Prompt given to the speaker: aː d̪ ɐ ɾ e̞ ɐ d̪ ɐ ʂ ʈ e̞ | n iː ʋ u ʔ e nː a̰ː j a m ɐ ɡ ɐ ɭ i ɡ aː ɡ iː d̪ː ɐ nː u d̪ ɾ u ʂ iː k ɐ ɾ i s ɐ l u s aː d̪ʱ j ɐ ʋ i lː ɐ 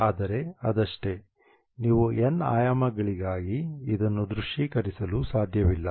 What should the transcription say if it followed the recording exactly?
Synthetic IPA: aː d̪ ɐ ɾ e̞ ɐ d̪ ɐ ʂ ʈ e̞ | n iː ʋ u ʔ e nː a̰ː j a m ɐ ɡ ɐ ɭ i ɡ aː ɡ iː d̪ ɐ nː u d̪ ɾ u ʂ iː k ɐ ɾ i s ɐ l u s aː d̪ʱ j ɐ ʋ i lː ɐ

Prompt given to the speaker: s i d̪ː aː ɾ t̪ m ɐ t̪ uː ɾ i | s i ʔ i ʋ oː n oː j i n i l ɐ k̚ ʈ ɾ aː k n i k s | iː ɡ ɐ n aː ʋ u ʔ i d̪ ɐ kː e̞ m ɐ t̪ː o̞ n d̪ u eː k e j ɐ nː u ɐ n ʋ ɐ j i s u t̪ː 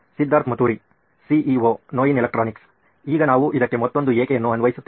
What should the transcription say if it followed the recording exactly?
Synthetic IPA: s i d̪ː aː ɾ t̪ m ɐ t̪ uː ɾ i | s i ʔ i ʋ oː n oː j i n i l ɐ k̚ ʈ ɾ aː n i k s | iː ɡ ɐ n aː ʋ u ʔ i d̪ ɐ kː e̞ m ɐ t̪ː o̞ n d̪ u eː k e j ɐ nː u ɐ n ʋ ɐ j i s u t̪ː

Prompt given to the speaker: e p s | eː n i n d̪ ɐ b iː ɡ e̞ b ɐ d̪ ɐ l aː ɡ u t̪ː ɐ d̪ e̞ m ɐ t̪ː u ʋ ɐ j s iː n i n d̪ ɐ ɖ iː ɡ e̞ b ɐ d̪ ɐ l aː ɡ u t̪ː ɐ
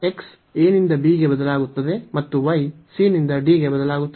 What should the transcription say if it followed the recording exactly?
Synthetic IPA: e k s | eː n i n d̪ ɐ b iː ɡ e̞ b ɐ d̪ ɐ l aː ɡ u t̪ː ɐ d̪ e̞ m ɐ t̪ː u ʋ ɐ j s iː n i n d̪ ɐ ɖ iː ɡ e̞ b ɐ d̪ ɐ l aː ɡ u t̪ː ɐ

